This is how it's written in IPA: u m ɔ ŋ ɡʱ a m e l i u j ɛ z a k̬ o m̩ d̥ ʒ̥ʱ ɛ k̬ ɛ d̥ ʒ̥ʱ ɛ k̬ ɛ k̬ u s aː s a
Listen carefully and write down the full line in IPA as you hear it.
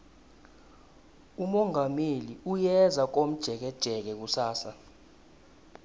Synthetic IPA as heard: u m ɔ ŋ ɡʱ a m e l i u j ɛ z a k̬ o m̩ d̥ ʒ̥ʱ ɛ k̬ ɛ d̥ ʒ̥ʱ ɛ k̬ ɛ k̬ u s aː s a